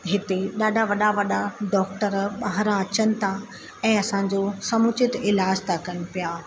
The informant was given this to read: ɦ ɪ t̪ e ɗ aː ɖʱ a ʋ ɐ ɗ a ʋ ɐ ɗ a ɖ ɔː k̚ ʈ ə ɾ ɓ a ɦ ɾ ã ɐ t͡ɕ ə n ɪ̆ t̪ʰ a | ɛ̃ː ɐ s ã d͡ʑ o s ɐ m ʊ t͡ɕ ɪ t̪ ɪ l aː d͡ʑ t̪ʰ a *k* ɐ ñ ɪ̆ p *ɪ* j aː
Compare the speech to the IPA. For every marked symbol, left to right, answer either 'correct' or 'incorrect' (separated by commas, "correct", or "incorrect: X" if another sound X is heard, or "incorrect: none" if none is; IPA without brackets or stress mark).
correct, incorrect: i